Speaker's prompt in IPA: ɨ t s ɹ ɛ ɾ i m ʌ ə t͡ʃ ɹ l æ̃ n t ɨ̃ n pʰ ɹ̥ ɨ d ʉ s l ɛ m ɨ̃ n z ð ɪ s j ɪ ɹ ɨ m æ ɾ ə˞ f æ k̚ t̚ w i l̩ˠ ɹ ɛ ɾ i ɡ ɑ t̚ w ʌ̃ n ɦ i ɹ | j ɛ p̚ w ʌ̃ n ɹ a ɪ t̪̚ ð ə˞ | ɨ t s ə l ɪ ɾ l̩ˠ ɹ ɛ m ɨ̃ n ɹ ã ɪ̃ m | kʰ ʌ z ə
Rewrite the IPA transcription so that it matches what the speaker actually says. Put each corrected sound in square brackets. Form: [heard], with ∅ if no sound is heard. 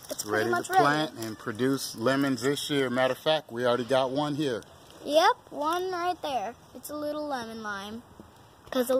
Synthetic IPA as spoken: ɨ t s ɹ ɛ ɾ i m ʌ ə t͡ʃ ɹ l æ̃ n t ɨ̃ n pʰ ɹ̥ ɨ d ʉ s l ɛ m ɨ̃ n z ð ɪ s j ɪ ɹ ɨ m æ ɾ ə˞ f æ k̚ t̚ w i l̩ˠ ɹ ɛ ɾ i ɡ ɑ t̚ w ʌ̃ n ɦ i ɹ | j ɛ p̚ w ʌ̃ n ɹ a ɪ t̪̚ ð ə˞ | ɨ t s ə l ɪ ɾ l̩ˠ [l] ɛ m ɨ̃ n [l] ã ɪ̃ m | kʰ ʌ z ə